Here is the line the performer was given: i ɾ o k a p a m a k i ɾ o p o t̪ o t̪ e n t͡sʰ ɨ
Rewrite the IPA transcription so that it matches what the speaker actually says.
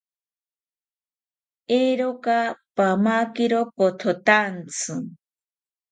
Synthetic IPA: e ɾ o k a p a m a k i ɾ o p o t̪ʰ o t̪ a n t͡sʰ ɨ